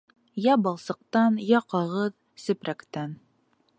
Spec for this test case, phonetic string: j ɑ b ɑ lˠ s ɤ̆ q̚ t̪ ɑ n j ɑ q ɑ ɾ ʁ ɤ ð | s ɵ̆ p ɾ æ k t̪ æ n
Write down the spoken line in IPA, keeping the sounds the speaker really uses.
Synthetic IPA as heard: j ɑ b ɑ lˠ s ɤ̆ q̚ t̪ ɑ n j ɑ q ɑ ʁ ɤ ð | s ɵ̆ p ɾ æ k t̪ æ n